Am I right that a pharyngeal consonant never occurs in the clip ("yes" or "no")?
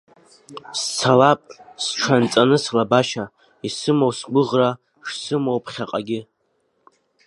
yes